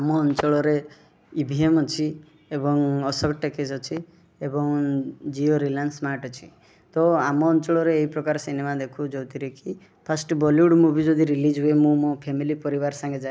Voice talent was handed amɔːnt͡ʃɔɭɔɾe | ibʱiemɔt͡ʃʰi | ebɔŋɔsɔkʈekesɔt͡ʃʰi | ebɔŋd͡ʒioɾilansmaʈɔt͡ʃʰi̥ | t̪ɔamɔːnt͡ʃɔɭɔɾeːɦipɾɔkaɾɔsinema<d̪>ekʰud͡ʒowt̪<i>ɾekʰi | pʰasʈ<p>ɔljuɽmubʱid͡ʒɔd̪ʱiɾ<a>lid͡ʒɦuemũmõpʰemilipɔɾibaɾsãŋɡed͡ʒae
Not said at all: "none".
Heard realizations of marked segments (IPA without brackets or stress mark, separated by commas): d̪, i, b, i